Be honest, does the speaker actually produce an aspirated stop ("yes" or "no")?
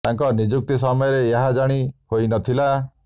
yes